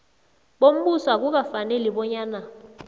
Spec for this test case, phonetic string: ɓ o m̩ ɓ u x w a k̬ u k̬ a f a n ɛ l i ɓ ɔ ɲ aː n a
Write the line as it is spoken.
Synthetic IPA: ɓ o m̩ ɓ u s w a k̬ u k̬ a f a n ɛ l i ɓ ɔ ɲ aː n a